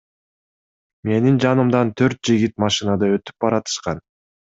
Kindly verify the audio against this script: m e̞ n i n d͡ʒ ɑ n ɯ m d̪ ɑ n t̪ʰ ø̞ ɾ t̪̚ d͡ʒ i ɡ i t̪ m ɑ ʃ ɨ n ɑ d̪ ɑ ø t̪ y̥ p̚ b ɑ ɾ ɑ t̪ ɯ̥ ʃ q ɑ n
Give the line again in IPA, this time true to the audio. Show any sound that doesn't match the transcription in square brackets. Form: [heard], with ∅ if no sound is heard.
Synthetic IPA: m e̞ n i n d͡ʒ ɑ n ɯ m d̪ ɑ n t̪ʰ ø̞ ɾ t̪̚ d͡ʒ i ɡ i t̪ m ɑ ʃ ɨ n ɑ d̪ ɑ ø t̪ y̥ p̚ b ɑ ɾ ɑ t̪ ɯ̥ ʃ q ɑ n